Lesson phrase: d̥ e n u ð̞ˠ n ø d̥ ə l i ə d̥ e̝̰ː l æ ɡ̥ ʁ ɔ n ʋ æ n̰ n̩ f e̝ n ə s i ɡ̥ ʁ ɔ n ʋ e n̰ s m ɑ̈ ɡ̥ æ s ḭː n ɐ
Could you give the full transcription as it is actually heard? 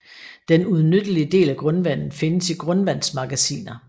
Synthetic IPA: d̥ e n u ð̞ˠ n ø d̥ ə l i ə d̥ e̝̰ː l æ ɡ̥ ʁ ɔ n ʋ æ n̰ n̩ f e̝ n ə s i ɡ̥ ʁ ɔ n ʋ æ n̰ s m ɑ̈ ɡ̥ æ s ḭː n ɐ